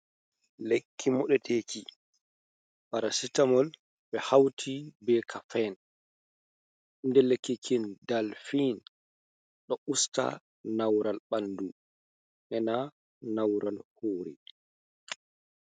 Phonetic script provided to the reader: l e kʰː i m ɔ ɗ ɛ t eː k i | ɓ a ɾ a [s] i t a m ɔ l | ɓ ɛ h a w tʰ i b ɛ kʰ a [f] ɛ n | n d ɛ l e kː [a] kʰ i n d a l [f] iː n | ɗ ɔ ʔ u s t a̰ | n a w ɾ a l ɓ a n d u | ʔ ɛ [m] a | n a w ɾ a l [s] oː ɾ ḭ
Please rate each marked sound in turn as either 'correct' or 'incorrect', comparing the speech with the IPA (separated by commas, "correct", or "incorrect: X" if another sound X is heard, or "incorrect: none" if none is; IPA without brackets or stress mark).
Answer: correct, correct, incorrect: i, correct, incorrect: n, incorrect: h